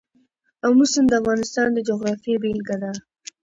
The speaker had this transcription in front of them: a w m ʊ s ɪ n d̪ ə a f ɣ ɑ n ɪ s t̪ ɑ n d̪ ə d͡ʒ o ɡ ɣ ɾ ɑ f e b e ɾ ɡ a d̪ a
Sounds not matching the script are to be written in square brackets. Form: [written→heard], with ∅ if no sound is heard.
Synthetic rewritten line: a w m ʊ s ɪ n d̪ ə a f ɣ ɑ n ɪ s t̪ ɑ n d̪ ə d͡ʒ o [ɡ→∅] ɣ ɾ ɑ f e b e [ɾ→l] ɡ a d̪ a